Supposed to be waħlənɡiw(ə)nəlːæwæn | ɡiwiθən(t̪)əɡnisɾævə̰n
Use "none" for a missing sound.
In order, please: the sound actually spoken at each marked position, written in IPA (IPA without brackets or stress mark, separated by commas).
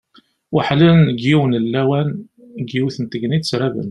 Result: ə, t̪